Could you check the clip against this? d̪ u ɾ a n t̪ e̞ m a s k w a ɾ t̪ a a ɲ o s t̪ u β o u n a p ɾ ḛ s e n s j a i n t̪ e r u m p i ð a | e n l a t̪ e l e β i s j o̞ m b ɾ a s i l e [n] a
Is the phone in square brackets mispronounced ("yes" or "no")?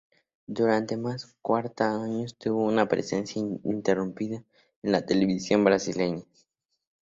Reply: yes